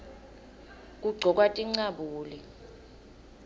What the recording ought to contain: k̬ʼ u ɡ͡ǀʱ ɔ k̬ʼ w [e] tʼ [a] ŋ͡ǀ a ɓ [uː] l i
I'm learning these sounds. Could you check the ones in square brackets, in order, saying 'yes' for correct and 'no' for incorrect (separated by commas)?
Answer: no, no, yes